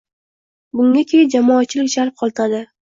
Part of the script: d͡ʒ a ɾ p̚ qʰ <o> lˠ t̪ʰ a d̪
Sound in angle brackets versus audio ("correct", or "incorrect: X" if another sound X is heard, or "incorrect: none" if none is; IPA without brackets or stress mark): incorrect: ɒ